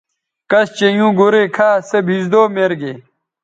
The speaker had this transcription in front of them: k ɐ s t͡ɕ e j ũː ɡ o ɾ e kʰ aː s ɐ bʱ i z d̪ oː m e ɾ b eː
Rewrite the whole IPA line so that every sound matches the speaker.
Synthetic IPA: k ɐ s t͡ɕ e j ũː ɡ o ɾ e kʰ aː s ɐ bʱ i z d̪ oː m e ɾ ɡ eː